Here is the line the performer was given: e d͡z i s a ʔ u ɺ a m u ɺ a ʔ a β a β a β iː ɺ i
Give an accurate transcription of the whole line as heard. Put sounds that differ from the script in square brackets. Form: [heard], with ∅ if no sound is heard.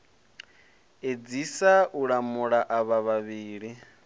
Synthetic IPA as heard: e d͡z i s a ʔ u ɺ a m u ɺ a ʔ a β a β a β iː ɺ i